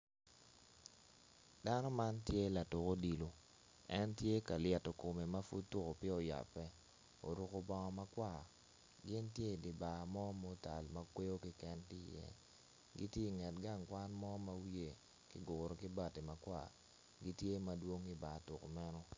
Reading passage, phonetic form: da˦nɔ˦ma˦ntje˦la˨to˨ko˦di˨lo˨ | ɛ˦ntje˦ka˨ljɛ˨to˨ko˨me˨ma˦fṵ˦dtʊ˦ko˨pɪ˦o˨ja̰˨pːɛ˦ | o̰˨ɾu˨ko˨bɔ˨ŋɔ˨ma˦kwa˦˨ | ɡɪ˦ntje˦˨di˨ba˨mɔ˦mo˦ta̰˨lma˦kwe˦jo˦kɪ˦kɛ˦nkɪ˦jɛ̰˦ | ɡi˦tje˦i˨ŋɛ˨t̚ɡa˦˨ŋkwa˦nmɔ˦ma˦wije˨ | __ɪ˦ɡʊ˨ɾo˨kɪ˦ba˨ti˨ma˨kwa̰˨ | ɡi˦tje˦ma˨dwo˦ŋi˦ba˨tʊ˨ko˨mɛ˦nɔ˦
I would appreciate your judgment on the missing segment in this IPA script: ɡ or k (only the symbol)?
k